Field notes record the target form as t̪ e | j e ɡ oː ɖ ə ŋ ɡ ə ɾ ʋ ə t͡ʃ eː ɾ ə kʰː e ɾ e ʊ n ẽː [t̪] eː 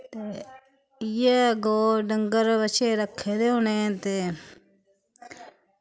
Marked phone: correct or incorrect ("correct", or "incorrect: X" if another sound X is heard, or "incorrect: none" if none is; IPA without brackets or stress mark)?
correct